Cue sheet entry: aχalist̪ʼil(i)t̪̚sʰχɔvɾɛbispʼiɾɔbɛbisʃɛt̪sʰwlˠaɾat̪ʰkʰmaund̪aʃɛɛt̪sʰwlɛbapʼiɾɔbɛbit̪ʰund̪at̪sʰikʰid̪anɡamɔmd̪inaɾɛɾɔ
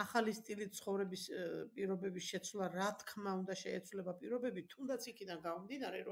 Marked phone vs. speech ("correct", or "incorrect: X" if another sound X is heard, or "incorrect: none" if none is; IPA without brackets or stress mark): correct